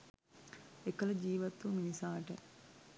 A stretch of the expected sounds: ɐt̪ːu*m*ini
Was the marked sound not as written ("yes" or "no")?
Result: no